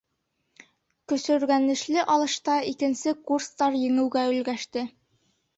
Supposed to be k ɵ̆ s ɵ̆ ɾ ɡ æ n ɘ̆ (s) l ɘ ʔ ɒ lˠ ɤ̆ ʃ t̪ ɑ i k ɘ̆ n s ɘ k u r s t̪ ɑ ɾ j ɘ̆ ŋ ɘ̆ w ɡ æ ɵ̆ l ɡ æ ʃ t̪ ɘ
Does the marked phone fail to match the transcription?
yes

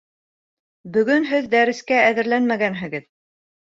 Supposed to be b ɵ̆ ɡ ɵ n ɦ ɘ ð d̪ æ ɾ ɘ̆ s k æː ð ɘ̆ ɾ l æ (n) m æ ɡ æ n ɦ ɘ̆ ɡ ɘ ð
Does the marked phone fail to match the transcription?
no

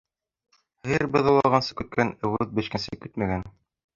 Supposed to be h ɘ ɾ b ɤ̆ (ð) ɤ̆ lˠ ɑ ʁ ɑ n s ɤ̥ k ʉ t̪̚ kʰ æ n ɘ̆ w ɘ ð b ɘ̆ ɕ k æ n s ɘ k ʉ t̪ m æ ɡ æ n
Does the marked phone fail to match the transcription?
no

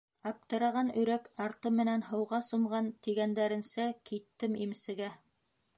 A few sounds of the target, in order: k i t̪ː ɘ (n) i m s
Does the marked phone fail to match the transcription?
yes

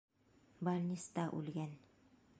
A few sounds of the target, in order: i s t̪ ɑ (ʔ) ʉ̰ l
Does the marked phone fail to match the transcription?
no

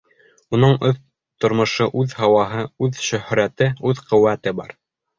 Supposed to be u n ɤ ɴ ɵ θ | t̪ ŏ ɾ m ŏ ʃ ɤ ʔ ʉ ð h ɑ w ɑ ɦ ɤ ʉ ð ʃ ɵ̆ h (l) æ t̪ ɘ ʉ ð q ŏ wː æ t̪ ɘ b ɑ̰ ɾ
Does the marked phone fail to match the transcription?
yes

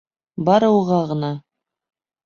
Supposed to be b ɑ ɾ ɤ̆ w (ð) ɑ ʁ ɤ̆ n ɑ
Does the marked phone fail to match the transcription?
yes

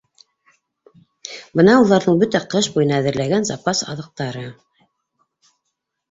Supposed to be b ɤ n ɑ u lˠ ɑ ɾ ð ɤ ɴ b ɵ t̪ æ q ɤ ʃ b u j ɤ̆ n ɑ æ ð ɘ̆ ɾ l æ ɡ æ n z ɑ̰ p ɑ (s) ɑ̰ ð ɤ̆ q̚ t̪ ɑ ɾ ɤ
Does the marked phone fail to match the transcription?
no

